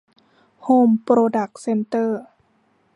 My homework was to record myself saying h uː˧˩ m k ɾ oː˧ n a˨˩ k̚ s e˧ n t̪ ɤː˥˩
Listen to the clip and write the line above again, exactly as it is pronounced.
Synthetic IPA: h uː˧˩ m p ɾ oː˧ d a˨˩ k̚ s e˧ n t̪ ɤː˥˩